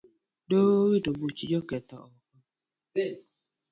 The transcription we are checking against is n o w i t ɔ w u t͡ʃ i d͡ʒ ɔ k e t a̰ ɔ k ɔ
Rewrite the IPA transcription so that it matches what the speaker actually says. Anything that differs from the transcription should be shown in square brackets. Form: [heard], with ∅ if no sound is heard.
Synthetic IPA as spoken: [d] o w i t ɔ [b] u t͡ʃ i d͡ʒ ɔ k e t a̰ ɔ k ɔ

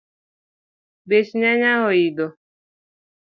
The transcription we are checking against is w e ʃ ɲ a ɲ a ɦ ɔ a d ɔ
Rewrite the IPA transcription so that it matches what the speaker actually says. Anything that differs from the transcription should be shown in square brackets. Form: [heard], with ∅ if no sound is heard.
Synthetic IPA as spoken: [b] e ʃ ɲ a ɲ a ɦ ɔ [i] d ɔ

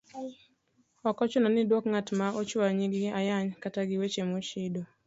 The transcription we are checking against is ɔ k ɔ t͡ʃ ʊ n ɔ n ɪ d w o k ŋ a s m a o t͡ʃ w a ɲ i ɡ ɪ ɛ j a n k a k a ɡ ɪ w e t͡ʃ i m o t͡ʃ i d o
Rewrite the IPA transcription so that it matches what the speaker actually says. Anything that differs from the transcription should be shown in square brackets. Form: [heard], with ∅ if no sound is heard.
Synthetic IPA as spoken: ɔ k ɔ t͡ʃ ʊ n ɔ n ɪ d w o k ŋ a [t] m a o t͡ʃ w a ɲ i ɡ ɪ [a] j a [ɲ] k a [t] a ɡ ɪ w e t͡ʃ [e] m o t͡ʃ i d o

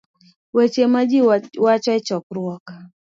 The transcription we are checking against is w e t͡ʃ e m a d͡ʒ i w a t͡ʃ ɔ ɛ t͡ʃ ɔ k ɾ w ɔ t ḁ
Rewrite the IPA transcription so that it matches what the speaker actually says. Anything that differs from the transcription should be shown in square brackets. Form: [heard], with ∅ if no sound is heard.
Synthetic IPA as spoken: w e t͡ʃ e m a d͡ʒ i w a t͡ʃ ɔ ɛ t͡ʃ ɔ k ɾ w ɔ [k] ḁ

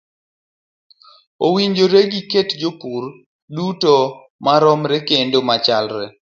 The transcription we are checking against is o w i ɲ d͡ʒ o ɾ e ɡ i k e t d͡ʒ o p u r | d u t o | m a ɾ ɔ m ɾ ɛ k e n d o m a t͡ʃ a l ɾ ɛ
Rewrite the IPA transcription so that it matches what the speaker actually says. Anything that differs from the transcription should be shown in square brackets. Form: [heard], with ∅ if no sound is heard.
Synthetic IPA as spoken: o w i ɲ d͡ʒ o ɾ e ɡ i k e t d͡ʒ o p u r | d u t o | m a ɾ ɔ m ɾ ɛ k e n d o m a t͡ʃ a l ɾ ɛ

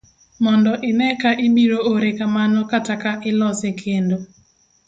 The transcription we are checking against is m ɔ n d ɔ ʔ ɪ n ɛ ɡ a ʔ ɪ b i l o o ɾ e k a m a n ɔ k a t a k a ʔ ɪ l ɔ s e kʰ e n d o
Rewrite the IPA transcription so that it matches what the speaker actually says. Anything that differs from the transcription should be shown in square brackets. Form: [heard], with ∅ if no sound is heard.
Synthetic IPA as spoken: m ɔ n d ɔ ʔ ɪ n ɛ [k] a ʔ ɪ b i [ɾ] o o ɾ e k a m a n ɔ k a t a k a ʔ ɪ l ɔ s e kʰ e n d o

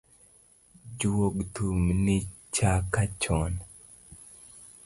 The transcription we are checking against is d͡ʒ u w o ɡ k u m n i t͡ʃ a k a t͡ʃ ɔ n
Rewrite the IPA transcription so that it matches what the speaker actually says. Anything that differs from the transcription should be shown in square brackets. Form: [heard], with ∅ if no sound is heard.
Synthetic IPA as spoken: d͡ʒ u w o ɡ [t] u m n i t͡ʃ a k a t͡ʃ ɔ n

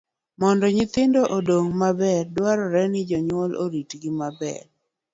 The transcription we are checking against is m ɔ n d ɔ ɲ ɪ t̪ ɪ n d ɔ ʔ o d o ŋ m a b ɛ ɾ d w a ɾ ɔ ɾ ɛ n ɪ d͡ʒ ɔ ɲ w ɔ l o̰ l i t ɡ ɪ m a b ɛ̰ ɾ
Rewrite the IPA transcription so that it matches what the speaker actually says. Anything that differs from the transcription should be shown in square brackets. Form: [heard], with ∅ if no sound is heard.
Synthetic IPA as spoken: m ɔ n d ɔ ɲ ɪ t̪ ɪ n d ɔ ʔ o d o ŋ m a b ɛ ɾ d w a ɾ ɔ ɾ ɛ n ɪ d͡ʒ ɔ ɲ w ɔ l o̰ [ɾ] i t ɡ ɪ m a b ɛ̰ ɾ

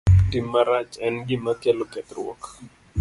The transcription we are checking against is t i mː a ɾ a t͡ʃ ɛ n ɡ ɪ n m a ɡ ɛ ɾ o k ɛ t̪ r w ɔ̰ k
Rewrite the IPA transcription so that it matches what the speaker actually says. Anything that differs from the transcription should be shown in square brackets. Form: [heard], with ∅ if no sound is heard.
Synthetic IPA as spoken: t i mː a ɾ a t͡ʃ ɛ n ɡ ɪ [∅] m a [k] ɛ [l] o k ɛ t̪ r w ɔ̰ k

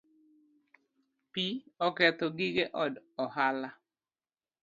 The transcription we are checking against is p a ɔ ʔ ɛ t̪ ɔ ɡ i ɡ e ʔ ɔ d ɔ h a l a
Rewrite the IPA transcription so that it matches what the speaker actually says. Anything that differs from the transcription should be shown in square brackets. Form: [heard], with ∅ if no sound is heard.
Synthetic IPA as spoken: p [i] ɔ [k] ɛ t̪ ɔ ɡ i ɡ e ʔ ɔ d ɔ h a l a

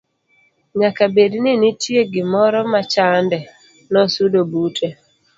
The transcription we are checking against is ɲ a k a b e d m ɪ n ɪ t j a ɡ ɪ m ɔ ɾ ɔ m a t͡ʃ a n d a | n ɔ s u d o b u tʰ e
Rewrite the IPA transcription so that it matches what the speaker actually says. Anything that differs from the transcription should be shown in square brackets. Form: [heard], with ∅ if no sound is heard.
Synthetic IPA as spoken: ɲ a k a b e d [n] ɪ n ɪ t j [e] ɡ ɪ m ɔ ɾ ɔ m a t͡ʃ a n d [ɛ] | n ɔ s u d o b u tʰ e

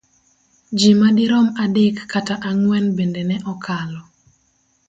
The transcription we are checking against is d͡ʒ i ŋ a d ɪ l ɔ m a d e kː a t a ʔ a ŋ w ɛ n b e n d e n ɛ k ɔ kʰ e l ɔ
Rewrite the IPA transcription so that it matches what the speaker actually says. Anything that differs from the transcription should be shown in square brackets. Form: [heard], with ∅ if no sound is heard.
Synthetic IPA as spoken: d͡ʒ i [m] a d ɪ [ɾ] ɔ m a d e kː a t a ʔ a ŋ w ɛ n b e n d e n ɛ [ʔ] ɔ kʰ [a] l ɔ

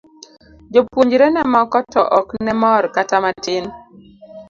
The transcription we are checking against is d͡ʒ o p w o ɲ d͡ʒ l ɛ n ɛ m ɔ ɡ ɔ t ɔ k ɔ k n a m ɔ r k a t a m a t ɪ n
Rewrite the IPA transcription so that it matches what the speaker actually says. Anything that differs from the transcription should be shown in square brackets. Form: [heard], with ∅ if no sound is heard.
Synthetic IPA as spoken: d͡ʒ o p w o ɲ d͡ʒ [ɾ] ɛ n ɛ m ɔ [k] ɔ t ɔ [ʔ] ɔ k n [ɛ] m ɔ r k a t a m a t ɪ n

